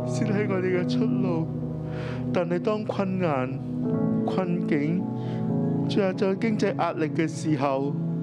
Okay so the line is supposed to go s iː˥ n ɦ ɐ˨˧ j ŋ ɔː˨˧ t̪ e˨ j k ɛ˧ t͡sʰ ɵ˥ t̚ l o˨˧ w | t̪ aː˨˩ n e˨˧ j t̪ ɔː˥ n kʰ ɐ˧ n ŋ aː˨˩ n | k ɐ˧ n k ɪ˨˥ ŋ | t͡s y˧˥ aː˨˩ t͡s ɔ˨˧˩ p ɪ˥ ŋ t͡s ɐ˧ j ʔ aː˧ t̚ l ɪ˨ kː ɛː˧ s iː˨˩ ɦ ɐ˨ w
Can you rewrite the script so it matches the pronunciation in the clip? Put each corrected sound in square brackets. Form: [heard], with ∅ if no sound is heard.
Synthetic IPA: s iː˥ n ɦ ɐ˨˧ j ŋ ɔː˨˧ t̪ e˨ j k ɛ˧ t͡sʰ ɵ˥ t̚ l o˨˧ w | t̪ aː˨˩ n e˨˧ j t̪ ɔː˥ [ŋ] kʰ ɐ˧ n ŋ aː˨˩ n | [kʰ] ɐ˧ n k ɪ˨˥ ŋ | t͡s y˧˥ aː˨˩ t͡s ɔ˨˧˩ [k] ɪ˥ ŋ t͡s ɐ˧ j ʔ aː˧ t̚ l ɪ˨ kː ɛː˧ s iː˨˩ ɦ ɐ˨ w